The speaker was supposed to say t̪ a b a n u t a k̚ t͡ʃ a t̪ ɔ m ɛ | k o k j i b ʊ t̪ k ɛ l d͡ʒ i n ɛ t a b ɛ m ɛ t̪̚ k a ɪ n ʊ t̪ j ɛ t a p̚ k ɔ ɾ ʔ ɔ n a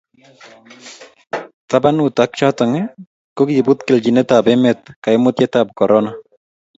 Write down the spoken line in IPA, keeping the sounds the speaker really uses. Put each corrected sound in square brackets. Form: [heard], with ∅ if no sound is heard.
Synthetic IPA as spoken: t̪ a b a n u t a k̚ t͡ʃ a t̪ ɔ [ŋ] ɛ | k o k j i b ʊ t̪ k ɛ l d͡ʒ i n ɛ t a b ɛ m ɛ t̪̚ k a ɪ [m] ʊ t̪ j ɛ t a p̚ k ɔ ɾ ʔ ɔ n a

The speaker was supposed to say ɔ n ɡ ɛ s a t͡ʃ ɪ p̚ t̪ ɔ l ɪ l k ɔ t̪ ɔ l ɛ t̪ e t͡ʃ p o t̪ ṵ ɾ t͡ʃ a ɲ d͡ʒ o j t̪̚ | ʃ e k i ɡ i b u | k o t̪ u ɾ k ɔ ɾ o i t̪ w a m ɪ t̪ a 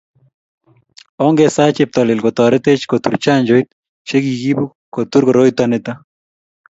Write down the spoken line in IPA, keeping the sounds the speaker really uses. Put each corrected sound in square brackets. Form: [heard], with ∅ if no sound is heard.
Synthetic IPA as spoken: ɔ [ŋ] ɡ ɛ s a t͡ʃ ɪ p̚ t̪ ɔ l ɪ l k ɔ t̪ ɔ [ɾ] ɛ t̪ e t͡ʃ [k] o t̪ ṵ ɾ t͡ʃ a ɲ d͡ʒ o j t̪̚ | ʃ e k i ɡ i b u | k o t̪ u ɾ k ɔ ɾ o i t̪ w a [n] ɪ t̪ a

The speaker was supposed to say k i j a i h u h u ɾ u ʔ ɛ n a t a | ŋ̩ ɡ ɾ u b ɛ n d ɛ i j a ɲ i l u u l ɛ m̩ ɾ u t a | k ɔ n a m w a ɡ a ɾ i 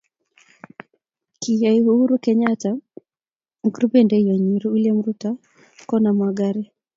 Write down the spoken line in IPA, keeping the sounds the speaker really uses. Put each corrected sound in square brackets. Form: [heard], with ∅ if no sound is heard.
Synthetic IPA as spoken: k i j a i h u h u ɾ u [k] ɛ [ɲ] a t a | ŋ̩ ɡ ɾ u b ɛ n d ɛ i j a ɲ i [ɾ] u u l ɛ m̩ ɾ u t a | k ɔ n a m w a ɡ a ɾ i

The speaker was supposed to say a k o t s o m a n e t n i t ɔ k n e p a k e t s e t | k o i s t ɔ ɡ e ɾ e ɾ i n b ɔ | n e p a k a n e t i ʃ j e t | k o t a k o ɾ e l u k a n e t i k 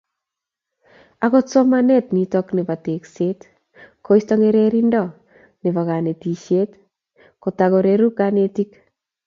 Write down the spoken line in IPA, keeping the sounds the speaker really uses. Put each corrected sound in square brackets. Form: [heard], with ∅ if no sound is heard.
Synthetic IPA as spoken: a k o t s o m a n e t n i t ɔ k n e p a [t] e [k] s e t | k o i s t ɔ [ŋ] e ɾ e ɾ i n [d] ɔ | n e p a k a n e t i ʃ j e t | k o t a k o ɾ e [ɾ] u k a n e t i k

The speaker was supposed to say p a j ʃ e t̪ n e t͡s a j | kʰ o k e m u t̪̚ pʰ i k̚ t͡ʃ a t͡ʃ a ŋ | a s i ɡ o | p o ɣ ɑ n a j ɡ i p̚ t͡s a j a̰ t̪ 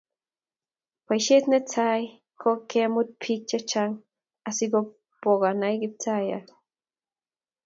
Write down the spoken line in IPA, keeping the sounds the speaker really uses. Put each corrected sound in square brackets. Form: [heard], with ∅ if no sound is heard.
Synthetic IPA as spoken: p a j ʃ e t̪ n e t͡s a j | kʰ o k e m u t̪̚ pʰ i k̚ t͡ʃ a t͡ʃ a ŋ | a s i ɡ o | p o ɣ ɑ n a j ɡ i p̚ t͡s a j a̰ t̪

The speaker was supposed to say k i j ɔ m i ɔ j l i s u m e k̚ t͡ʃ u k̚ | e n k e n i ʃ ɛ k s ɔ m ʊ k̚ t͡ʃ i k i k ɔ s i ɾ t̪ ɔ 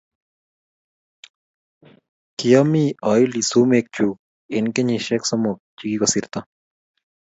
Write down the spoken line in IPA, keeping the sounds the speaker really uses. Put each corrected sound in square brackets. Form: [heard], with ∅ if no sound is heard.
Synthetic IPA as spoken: k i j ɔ m i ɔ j l i s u m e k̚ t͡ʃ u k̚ | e n k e [ɲ] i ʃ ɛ k s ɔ m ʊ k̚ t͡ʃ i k i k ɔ s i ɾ t̪ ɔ

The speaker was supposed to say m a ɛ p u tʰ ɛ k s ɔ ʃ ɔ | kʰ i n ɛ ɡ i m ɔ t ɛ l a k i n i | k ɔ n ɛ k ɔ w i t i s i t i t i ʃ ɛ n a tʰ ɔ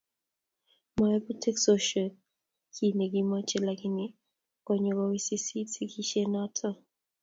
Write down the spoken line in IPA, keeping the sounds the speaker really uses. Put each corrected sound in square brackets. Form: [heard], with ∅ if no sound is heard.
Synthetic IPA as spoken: m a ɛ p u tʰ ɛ k s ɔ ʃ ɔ | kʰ i n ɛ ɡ i m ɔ [t͡ʃ] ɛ l a k i n i | k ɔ [ɲ] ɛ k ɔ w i [s] i s i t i [k] i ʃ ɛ n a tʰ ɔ

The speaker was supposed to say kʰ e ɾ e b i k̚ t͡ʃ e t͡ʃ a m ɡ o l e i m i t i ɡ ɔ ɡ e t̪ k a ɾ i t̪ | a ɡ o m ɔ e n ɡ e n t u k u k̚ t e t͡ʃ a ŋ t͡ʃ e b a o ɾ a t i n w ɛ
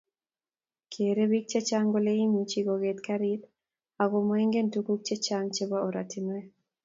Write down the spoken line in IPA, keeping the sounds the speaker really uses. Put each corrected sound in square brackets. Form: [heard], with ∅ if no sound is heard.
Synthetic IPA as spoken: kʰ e ɾ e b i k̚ t͡ʃ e t͡ʃ a [ŋ] ɡ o l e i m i [t͡ʃ] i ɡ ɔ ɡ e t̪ k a ɾ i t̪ | a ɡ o m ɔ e [ŋ] ɡ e n t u k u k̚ [t͡ʃ] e t͡ʃ a ŋ t͡ʃ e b a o ɾ a t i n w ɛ

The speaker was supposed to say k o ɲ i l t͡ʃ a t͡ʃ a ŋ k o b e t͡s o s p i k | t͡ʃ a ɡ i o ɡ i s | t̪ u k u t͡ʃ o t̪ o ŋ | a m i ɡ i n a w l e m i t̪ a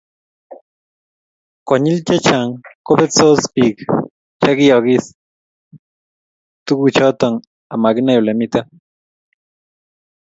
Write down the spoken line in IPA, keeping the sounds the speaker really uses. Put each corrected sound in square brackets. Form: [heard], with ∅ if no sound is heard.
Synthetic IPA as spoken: k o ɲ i l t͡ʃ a t͡ʃ a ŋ k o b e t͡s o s p i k | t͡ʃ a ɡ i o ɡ i s | t̪ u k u t͡ʃ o t̪ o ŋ | a m [a] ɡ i n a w l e m i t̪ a

